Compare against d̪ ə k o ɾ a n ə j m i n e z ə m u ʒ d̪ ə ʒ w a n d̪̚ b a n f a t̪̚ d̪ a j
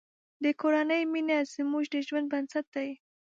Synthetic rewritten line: d̪ ə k o ɾ a n ə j m i n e z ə m u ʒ d̪ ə ʒ w a n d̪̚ b a n s a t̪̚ d̪ a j